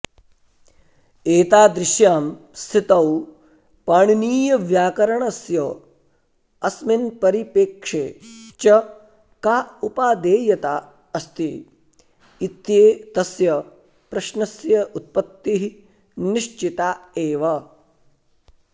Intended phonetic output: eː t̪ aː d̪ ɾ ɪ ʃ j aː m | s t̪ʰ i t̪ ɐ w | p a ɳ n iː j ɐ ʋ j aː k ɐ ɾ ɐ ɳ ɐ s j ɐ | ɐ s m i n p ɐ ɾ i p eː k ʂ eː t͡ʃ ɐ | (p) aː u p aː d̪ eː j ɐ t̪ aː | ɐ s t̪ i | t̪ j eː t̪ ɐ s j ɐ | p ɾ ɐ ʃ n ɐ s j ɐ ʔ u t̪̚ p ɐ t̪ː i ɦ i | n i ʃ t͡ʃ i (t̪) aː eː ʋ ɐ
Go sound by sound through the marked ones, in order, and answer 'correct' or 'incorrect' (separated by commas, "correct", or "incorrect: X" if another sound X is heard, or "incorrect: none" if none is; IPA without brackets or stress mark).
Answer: incorrect: k, correct